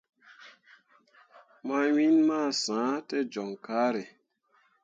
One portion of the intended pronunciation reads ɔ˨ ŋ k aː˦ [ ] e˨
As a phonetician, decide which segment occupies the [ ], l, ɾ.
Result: ɾ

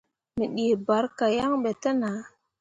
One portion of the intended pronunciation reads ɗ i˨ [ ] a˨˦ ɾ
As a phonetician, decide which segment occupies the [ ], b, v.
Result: b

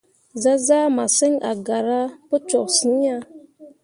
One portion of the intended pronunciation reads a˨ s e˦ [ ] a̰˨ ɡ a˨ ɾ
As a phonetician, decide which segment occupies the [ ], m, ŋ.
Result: ŋ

